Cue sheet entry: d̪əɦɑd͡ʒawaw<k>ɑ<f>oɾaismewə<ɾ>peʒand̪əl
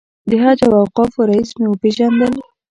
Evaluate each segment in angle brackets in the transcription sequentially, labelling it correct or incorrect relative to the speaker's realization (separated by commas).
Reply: incorrect, correct, incorrect